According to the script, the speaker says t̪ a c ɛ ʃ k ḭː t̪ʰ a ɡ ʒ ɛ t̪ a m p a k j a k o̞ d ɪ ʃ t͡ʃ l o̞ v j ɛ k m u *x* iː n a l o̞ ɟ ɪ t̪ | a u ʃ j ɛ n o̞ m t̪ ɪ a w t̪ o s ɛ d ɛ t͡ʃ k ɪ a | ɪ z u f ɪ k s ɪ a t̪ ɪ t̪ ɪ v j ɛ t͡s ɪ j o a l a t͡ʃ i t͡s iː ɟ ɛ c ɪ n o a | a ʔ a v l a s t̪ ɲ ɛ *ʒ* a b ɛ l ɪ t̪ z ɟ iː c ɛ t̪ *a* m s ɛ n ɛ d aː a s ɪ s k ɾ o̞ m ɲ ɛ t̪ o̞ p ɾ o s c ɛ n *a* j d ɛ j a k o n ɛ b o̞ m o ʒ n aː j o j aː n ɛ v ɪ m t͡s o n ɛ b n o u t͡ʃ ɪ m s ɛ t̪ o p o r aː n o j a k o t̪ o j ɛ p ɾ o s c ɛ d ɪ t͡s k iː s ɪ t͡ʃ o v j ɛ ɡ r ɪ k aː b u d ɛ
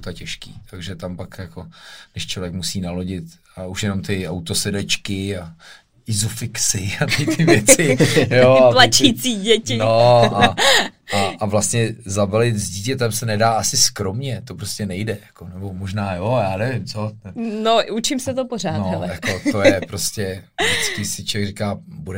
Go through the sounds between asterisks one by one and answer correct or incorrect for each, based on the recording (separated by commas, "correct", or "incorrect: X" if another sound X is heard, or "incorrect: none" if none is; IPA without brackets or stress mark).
incorrect: s, incorrect: z, incorrect: ɛ, incorrect: ɛ